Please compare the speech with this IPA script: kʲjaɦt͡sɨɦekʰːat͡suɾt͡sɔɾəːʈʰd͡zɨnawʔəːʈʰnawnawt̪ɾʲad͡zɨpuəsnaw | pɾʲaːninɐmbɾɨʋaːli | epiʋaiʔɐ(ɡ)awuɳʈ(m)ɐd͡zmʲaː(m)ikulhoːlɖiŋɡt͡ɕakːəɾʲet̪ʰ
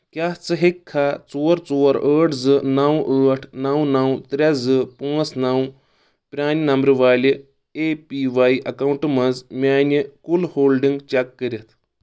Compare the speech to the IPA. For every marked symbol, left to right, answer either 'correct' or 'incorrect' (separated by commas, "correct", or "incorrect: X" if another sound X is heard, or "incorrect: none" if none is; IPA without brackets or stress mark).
incorrect: k, correct, incorrect: n